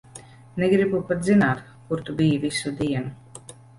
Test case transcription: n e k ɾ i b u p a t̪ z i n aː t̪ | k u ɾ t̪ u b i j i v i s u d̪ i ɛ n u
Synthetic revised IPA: n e ɡ ɾ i b u p a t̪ z i n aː t̪ | k u ɾ t̪ u b i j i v i s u d̪ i ɛ n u